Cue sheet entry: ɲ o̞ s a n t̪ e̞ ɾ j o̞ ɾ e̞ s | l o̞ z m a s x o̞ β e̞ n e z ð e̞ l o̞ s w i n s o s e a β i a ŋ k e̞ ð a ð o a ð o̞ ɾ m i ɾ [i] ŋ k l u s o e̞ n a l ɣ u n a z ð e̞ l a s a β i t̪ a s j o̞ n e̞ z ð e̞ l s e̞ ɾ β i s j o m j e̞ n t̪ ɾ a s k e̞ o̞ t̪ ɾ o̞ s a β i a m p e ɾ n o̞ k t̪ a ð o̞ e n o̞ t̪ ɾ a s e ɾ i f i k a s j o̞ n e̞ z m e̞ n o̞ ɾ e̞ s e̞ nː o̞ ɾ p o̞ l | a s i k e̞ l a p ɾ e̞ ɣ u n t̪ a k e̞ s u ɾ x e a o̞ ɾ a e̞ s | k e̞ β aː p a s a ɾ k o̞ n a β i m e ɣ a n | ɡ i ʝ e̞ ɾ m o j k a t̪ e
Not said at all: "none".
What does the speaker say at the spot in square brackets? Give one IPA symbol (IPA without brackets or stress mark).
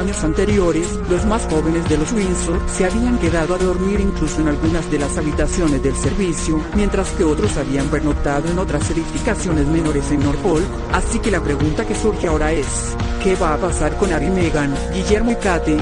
i